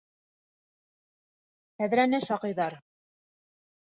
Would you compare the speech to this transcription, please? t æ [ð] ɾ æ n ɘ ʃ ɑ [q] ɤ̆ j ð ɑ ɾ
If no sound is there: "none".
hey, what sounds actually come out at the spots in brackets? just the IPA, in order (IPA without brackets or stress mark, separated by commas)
ð, q